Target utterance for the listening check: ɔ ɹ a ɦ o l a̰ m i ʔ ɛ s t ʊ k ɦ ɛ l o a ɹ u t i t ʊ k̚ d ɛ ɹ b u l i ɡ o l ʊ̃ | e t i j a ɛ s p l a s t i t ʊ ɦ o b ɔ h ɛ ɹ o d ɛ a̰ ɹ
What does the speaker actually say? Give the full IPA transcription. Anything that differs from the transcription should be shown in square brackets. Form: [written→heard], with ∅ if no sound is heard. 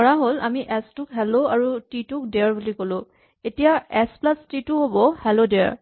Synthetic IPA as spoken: ɔ ɹ a ɦ o l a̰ m i ʔ ɛ s t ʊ k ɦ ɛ l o a ɹ u t i t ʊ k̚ d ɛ ɹ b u l i [ɡ→k] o l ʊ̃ | e t i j a ɛ s p l a s t i t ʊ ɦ o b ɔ h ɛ [ɹ→l] o d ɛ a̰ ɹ